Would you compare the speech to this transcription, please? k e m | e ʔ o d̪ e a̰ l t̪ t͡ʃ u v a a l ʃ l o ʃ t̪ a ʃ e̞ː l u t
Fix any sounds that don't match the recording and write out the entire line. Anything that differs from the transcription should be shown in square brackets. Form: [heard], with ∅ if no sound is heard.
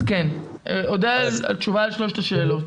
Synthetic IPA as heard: k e [n] | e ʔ o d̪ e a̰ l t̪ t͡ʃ u v a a l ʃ l o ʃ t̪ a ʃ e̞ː l [o] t